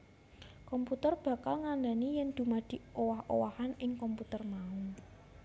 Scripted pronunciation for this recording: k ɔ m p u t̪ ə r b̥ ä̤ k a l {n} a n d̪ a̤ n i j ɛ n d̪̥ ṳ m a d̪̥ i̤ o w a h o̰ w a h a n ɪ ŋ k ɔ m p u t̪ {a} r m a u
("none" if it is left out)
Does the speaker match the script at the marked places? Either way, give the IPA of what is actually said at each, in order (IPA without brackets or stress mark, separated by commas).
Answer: ŋ, ə